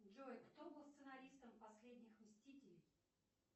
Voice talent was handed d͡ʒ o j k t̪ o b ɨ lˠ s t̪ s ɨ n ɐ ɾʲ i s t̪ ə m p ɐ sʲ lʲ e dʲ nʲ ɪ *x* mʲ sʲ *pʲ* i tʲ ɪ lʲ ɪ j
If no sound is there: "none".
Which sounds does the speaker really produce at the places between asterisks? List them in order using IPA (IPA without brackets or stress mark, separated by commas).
x, tʲ